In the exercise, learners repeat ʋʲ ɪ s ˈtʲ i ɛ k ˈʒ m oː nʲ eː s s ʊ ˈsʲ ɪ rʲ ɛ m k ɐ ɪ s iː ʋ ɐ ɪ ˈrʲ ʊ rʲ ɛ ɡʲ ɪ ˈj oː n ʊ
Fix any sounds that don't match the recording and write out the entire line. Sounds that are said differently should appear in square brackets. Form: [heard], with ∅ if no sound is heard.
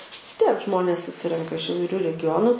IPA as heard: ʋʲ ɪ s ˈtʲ i ɛ k ˈʒ m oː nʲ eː s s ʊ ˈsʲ ɪ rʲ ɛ [ŋ] k ɐ ɪ [ʃ] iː ʋ ɐ ɪ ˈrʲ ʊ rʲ ɛ ɡʲ ɪ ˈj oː n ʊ

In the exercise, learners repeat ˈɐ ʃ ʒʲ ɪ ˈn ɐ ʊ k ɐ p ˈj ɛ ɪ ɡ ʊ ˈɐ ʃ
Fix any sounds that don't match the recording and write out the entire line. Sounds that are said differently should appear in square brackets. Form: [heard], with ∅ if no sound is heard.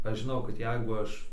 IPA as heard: ˈɐ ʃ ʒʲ ɪ ˈn ɐ ʊ k ɐ [t] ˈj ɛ ɪ ɡ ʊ ˈɐ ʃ

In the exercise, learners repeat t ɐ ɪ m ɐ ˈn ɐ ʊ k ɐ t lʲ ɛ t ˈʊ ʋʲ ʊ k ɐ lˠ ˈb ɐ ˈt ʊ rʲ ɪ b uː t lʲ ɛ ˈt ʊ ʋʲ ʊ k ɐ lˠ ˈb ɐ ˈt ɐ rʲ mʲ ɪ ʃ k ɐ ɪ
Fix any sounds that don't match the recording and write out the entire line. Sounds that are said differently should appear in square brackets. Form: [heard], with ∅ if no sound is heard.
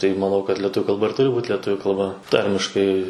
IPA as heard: t ɐ ɪ m ɐ ˈn ɐ ʊ k ɐ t lʲ ɛ t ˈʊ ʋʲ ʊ k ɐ lˠ ˈb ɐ ˈt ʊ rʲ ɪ b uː t lʲ ɛ ˈt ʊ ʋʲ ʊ k ɐ lˠ ˈb ɐ ˈt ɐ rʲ mʲ ɪ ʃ k ɐ ɪ

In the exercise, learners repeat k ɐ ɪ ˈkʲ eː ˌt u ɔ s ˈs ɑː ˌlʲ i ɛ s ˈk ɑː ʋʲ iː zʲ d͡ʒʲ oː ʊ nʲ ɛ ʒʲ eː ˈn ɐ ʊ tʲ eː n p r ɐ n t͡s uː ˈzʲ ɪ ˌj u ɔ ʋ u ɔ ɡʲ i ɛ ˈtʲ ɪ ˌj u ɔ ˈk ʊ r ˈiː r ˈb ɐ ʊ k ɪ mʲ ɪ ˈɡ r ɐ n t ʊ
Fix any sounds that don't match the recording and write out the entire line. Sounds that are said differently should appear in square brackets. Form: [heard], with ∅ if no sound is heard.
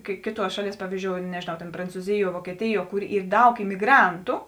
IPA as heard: k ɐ ɪ ˈkʲ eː ˌt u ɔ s [ˈʃ] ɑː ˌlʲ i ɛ s [ˈp] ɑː ʋʲ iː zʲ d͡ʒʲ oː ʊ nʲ ɛ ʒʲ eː ˈn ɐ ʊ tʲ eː n p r ɐ n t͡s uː ˈzʲ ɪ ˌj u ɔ ʋ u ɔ [kʲ] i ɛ ˈtʲ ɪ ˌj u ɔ ˈk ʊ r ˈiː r [ˈd] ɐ ʊ k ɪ mʲ ɪ ˈɡ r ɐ n t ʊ

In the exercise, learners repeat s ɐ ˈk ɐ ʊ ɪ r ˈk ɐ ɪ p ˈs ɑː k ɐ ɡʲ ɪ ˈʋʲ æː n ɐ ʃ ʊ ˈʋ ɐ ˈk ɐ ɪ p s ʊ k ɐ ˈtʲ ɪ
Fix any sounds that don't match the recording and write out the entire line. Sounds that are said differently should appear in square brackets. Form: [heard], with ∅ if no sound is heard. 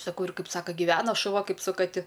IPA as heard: s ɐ ˈk ɐ ʊ ɪ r ˈk ɐ ɪ p ˈs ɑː k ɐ ɡʲ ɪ ˈʋʲ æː n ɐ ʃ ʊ ˈʋ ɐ ˈk ɐ ɪ p s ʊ k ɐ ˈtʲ ɪ

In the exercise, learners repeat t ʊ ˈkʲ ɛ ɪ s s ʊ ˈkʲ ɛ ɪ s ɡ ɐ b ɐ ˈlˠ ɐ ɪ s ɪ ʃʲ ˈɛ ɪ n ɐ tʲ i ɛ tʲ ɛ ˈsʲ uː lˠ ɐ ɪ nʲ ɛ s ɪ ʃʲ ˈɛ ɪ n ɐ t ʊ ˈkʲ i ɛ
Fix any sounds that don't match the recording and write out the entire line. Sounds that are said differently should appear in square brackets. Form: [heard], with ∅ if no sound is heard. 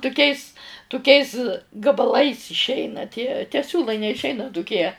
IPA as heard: t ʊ ˈkʲ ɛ ɪ s [t] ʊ ˈkʲ ɛ ɪ s ɡ ɐ b ɐ ˈlˠ ɐ ɪ s ɪ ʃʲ ˈɛ ɪ n ɐ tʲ i ɛ tʲ ɛ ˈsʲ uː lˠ ɐ ɪ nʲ ɛ [∅] ɪ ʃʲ ˈɛ ɪ n ɐ t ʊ ˈkʲ i ɛ

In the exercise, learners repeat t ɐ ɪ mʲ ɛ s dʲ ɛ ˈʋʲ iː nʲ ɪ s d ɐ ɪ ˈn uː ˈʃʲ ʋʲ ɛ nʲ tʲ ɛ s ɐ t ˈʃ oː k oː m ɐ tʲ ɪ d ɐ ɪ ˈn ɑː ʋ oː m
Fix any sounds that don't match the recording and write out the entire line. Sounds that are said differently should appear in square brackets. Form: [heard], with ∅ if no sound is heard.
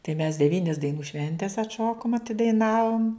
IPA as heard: t ɐ ɪ mʲ ɛ s dʲ ɛ ˈʋʲ iː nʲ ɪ s d ɐ ɪ ˈn uː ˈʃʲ ʋʲ ɛ nʲ tʲ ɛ s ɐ t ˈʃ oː k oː m ɐ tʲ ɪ d ɐ ɪ ˈn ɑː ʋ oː m

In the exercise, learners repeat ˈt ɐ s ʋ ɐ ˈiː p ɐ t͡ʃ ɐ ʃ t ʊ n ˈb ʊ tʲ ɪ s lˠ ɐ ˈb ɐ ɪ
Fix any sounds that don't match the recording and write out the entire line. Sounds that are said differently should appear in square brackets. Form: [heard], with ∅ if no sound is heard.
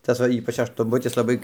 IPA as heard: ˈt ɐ s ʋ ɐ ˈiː p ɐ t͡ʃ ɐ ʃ t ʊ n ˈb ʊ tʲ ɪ s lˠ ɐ ˈb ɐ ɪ

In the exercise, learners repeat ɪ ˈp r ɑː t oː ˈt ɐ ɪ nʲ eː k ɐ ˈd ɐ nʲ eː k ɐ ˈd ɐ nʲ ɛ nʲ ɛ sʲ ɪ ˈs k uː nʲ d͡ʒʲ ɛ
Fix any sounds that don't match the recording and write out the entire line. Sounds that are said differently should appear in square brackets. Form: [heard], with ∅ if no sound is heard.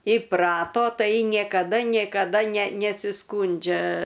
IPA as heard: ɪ ˈp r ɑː t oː ˈt ɐ ɪ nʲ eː k ɐ ˈd ɐ nʲ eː k ɐ ˈd ɐ nʲ ɛ nʲ ɛ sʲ ɪ ˈs k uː nʲ d͡ʒʲ ɛ

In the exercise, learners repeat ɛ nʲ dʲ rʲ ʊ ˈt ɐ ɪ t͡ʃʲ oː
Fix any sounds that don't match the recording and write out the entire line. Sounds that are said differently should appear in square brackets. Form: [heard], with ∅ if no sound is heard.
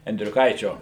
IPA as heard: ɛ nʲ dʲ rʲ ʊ [ˈk] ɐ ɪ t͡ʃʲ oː

